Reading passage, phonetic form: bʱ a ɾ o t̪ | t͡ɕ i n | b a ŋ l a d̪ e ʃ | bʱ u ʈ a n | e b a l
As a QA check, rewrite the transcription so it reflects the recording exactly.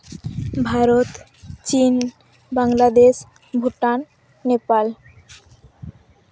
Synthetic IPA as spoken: bʱ a ɾ o t̪ | t͡ɕ i n | b a ŋ l a d̪ e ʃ | bʱ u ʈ a nː | e p a l

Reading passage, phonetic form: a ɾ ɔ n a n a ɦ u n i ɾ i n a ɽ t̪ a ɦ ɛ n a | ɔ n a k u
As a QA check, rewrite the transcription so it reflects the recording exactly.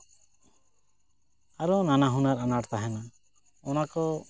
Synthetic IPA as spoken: a ɾ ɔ n a n a ɦ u n a ɾ a n a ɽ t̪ a ɦ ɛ n a | ɔ n a k ɔ

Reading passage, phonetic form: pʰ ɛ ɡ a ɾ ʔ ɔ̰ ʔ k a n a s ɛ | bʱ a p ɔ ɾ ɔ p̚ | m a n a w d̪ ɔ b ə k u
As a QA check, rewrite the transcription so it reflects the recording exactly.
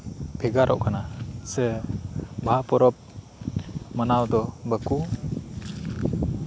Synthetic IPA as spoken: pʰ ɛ ɡ a ɾ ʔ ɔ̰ ʔ k a n a s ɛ | bʱ a p ɔ ɾ ɔ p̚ | m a n a w d̪ ɔ b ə k u

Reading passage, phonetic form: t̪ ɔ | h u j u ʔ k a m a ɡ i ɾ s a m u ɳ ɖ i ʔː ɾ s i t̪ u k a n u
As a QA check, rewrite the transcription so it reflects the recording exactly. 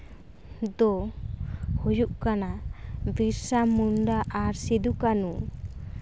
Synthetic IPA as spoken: d̪ ɔ | h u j u ʔ k a n a b i ɾ s a m u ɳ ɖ a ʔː ɾ s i d̪ u k a n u

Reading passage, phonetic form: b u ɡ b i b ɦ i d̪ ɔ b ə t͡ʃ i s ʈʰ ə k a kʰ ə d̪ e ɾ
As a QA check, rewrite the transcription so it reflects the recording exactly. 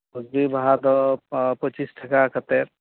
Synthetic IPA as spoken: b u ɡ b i b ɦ a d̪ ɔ p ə t͡ʃ i s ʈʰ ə k a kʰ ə t̪ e ɾ

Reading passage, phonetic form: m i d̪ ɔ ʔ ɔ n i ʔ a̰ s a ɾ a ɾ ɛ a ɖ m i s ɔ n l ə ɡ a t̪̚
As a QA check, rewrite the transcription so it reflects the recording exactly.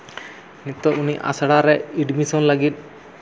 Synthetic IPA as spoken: n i t̪ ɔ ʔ u n i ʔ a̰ s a ɽ a ɾ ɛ i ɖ m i s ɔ n l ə ɡ i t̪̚

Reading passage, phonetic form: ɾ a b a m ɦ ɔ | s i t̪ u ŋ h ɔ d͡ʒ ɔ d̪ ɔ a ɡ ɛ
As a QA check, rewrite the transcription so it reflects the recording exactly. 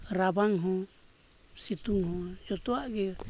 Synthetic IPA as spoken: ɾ a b a ŋ ɦ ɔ | s i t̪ u ŋ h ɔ d͡ʒ ɔ t̪ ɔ a ɡ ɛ

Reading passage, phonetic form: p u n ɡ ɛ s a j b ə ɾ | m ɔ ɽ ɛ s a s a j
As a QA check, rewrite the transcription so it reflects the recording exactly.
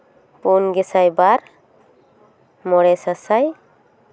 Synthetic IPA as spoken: p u n ɡ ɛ s a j b a ɾ | m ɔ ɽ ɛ s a s a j

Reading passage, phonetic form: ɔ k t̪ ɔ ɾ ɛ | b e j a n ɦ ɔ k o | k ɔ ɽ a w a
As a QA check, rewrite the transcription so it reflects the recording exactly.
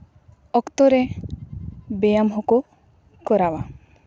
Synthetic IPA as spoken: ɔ k t̪ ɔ ɾ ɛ | b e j a m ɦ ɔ k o | k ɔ ɾ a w a

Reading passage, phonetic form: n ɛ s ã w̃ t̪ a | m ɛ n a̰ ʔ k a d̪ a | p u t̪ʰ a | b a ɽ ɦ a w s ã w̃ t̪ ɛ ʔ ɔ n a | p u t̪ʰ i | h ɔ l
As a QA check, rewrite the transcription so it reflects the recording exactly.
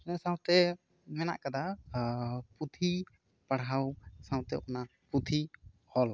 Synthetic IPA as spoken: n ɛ s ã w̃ t̪ ɛ | m ɛ n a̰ ʔ k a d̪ a | p u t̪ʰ i | p a ɽ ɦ a w s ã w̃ t̪ ɛ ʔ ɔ n a | p u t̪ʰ i | h ɔ l

